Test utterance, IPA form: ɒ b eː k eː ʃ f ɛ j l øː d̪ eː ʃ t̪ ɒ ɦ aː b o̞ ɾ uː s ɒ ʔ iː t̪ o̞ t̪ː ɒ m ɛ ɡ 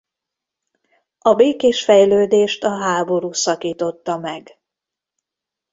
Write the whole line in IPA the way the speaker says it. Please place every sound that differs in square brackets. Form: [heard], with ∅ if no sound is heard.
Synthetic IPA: ɒ b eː k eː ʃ f ɛ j l øː d̪ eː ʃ t̪ ɒ ɦ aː b o̞ ɾ uː s ɒ [k] iː t̪ o̞ t̪ː ɒ m ɛ ɡ